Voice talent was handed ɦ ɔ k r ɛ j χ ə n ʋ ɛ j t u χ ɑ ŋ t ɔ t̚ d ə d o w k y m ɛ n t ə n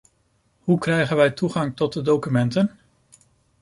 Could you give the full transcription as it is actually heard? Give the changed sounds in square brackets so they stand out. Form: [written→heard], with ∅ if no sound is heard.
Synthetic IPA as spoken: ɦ [ɔ→u] k r ɛ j χ ə n ʋ ɛ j t u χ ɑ ŋ t ɔ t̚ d ə d o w k y m ɛ n t ə n